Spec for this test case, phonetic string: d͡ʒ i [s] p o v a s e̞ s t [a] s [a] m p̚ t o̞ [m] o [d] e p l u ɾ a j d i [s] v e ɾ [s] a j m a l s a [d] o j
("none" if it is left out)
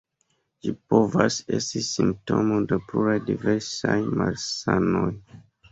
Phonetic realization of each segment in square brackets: none, i, i, m, d, none, s, n

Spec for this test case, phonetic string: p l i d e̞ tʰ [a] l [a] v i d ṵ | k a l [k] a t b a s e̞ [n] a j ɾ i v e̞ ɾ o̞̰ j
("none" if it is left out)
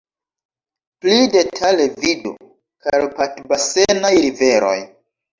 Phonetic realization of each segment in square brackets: a, e, p, n

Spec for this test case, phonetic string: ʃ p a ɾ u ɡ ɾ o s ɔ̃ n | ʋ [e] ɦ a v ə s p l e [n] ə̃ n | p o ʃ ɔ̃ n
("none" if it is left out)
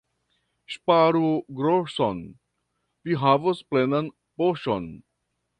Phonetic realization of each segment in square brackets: i, n

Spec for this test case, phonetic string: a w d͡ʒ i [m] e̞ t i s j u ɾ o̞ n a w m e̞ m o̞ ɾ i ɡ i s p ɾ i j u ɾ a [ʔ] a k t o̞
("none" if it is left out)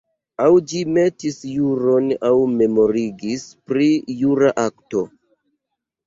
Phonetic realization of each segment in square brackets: m, ʔ

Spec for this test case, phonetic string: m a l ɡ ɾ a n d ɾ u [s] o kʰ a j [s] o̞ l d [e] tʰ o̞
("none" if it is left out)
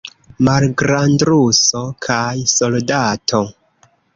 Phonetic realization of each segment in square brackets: s, s, a

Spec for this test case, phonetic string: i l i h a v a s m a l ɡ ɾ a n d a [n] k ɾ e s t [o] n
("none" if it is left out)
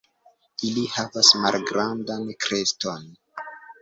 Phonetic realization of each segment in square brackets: n, o

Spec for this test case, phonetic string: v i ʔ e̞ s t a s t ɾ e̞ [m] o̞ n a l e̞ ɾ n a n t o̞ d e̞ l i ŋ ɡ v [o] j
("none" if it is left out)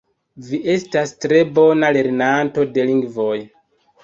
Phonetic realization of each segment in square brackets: b, o

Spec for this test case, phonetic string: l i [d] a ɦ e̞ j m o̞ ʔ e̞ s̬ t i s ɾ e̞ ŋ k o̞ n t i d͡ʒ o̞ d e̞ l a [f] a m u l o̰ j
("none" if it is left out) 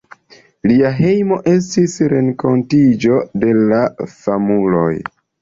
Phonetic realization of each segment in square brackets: none, f

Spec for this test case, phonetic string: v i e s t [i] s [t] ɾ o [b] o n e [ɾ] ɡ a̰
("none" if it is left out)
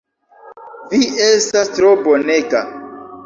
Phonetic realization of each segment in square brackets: a, t, b, none

